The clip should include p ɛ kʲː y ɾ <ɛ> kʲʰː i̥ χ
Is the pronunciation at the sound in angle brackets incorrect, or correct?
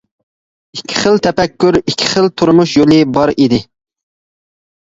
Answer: incorrect